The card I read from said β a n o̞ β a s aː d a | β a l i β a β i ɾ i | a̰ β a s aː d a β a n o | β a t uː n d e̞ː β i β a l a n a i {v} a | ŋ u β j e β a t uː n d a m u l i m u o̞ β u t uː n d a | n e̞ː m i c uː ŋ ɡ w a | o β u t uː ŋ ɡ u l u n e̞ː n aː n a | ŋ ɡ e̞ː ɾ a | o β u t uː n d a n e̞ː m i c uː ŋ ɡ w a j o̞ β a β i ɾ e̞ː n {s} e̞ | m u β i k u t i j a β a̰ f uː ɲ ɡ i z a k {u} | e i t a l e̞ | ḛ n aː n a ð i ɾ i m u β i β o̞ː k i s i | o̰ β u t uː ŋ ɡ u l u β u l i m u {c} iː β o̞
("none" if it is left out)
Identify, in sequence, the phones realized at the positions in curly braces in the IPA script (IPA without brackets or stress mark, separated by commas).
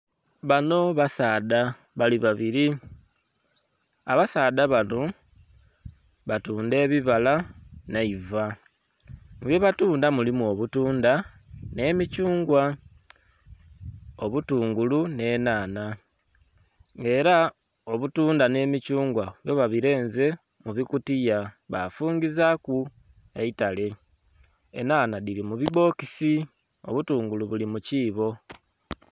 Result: v, z, u, c